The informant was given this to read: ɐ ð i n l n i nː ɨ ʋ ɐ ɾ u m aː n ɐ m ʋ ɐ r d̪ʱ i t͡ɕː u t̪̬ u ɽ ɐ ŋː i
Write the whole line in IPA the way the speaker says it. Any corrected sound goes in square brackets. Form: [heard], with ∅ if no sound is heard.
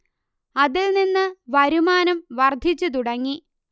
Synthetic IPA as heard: ɐ ð i [∅] l n i nː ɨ ʋ ɐ ɾ u m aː n ɐ m ʋ ɐ r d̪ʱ i t͡ɕː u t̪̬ u ɽ ɐ ŋː i